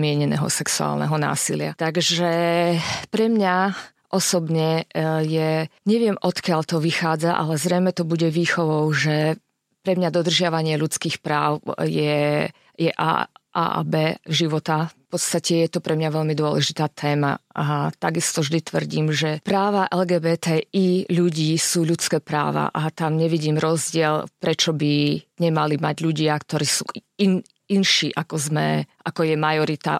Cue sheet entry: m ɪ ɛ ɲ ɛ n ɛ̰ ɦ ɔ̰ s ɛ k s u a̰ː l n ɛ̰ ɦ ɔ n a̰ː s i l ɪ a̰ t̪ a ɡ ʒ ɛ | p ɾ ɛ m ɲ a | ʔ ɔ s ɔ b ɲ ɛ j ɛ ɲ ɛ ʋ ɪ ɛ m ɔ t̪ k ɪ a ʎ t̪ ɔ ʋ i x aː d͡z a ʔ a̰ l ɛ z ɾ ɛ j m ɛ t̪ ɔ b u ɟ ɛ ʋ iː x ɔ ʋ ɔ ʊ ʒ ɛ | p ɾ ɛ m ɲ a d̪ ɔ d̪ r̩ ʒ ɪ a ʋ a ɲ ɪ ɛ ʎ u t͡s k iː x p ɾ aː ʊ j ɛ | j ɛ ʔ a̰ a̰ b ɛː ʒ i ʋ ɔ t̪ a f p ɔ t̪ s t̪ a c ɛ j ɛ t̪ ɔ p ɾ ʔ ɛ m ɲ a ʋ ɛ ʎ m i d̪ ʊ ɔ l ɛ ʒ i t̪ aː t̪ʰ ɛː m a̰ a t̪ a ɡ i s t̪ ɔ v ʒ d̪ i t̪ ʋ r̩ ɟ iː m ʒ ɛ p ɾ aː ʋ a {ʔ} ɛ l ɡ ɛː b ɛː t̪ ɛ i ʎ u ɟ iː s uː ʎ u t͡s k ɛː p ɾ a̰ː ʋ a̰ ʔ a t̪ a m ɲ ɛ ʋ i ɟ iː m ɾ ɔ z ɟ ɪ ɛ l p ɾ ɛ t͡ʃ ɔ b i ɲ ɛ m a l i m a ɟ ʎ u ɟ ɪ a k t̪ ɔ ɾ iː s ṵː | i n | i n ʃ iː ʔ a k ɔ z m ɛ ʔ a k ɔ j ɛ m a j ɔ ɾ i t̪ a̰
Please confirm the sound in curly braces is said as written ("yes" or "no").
yes